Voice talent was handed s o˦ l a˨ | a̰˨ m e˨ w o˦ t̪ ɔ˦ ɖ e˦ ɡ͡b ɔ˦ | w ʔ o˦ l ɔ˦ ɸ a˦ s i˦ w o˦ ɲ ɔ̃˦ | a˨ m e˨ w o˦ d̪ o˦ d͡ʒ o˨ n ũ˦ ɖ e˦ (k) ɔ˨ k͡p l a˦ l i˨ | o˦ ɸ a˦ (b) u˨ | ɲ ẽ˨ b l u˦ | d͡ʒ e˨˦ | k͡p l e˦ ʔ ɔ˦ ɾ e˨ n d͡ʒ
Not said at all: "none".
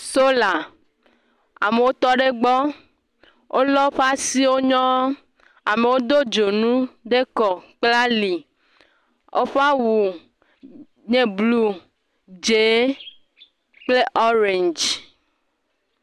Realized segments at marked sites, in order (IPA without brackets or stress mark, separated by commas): k, w